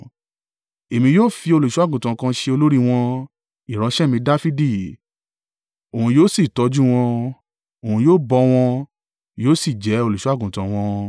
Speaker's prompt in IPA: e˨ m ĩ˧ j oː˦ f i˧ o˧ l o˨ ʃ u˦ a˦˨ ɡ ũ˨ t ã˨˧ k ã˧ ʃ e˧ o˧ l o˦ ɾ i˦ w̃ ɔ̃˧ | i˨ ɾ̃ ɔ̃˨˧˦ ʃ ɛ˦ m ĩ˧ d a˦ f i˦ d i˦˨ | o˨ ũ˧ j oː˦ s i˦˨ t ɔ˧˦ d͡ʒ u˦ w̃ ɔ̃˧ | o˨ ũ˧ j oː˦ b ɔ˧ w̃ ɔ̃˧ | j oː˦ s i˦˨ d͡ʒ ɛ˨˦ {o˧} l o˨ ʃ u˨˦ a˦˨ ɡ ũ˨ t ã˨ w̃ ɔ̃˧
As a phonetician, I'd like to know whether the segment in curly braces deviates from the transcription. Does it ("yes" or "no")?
no